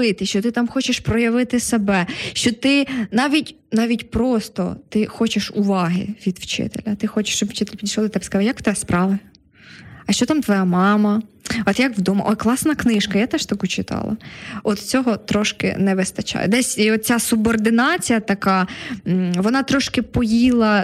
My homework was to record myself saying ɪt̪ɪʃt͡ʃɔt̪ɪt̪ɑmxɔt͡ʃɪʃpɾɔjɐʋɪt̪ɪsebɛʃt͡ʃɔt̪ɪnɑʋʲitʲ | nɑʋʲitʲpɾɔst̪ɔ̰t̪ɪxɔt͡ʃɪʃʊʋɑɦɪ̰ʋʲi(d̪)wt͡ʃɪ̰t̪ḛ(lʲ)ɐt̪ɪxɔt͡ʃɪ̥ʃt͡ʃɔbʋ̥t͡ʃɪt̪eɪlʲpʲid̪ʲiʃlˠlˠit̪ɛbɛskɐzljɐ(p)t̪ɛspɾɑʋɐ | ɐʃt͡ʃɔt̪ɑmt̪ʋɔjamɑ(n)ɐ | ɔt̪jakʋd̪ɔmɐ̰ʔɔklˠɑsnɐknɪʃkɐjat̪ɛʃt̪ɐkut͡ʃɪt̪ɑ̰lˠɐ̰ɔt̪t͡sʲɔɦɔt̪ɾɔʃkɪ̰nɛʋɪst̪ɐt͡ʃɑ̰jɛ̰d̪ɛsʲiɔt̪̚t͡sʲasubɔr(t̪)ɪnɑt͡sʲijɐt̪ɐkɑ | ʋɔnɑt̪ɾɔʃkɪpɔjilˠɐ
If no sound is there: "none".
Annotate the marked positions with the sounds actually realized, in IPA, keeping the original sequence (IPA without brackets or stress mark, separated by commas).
d̪, lʲ, k, m, d̪